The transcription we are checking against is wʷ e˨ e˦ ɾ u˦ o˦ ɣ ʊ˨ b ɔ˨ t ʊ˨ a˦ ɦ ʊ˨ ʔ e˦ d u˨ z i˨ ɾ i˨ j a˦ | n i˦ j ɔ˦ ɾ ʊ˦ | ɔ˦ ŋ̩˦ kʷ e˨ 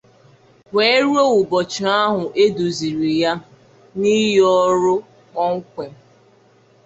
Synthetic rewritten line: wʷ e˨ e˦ ɾ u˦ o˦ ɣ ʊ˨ b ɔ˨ t͡ʃ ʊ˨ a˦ ɦ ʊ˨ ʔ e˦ d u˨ z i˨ ɾ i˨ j a˦ | n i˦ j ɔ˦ ɾ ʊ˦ | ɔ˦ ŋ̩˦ kʷ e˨